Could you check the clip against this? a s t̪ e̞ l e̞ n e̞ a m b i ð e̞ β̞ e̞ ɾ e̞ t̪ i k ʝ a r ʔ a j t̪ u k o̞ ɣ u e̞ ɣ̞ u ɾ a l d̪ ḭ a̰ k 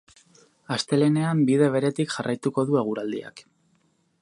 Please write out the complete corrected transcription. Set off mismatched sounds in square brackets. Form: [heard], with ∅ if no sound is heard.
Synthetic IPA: a s t̪ e̞ l e̞ n e̞ a m b i ð e̞ β̞ e̞ ɾ e̞ t̪ i k ʝ a r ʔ a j t̪ u k o̞ [ð] u e̞ ɣ̞ u ɾ a l d̪ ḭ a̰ k